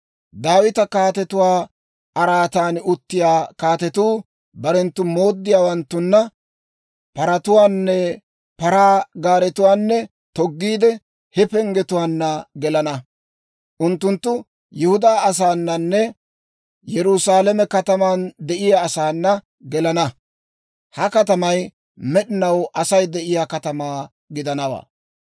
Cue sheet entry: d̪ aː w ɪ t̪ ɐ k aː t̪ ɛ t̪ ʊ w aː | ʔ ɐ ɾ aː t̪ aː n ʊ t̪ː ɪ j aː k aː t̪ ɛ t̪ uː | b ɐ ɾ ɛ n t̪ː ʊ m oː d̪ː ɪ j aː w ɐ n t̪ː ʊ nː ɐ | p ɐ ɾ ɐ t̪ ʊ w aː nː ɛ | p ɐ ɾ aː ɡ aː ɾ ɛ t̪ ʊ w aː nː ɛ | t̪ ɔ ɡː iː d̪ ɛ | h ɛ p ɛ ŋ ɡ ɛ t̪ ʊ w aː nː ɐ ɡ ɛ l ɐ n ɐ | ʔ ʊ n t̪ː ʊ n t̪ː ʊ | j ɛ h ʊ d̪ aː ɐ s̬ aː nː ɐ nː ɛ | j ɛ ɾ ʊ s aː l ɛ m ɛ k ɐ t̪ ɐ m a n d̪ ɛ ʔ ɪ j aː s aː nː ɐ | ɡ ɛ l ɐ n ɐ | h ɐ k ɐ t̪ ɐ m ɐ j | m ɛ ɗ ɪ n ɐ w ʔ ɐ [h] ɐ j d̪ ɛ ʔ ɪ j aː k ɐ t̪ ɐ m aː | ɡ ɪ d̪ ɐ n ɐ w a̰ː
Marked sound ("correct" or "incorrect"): incorrect